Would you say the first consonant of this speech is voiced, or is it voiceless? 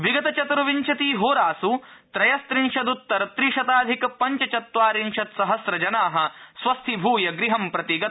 voiced